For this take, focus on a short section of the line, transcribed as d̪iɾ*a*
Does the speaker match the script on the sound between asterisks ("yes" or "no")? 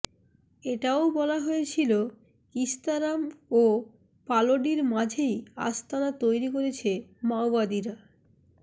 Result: yes